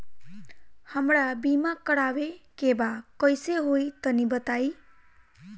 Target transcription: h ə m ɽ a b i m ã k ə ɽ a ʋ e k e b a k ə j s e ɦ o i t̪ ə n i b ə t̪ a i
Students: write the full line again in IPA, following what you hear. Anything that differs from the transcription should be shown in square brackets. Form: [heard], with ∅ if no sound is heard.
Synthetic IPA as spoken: h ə m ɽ a b i m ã k ə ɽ a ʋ e k e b a k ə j s e ɦ o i t̪ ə n i b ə t̪ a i